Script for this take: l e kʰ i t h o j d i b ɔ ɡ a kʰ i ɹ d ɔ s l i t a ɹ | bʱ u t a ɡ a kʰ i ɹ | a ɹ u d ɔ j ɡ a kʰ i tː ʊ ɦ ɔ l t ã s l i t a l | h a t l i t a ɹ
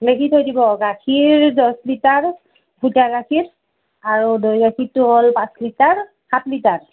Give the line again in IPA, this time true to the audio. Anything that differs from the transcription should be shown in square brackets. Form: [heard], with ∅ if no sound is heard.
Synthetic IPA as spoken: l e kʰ i t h o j d i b ɔ ɡ a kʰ i ɹ d ɔ s l i t a ɹ | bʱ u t a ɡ a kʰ i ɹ | a ɹ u d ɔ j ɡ a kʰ i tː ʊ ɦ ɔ l [p] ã s l i t a [ɹ] | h a t l i t a ɹ